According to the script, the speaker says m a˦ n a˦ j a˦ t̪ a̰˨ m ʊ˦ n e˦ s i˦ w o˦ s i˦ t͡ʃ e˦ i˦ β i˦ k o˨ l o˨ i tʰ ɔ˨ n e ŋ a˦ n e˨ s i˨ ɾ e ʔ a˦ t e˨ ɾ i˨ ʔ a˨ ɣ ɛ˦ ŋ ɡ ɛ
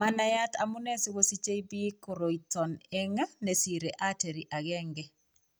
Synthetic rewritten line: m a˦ n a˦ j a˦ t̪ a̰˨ m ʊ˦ n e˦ s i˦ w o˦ s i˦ t͡ʃ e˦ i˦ b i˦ k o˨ ɾ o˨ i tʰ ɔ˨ n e ŋ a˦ n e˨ s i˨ ɾ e ʔ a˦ t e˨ ɾ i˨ ʔ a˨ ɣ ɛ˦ ŋ ɡ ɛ